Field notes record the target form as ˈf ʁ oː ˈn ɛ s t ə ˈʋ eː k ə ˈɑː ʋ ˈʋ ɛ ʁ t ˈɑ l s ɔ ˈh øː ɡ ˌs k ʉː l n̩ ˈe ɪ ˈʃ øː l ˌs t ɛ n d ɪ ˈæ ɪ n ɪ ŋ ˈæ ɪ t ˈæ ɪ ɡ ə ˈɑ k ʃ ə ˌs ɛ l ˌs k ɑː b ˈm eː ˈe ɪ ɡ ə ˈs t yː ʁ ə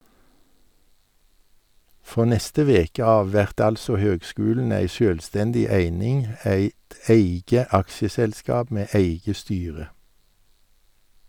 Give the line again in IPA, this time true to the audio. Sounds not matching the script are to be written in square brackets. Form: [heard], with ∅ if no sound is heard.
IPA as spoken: ˈf ʁ oː ˈn ɛ s t ə ˈʋ eː k ə ˈɑː ʋ ˈʋ ɛ ʁ t ˈɑ l s ɔ ˈh øː ɡ ˌs k ʉː l n̩ [ˈæ] ɪ ˈʃ øː l ˌs t ɛ n d ɪ ˈæ ɪ n ɪ ŋ ˈæ ɪ t ˈæ ɪ ɡ ə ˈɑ k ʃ ə ˌs ɛ l ˌs k ɑː b ˈm eː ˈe ɪ ɡ ə ˈs t yː ʁ ə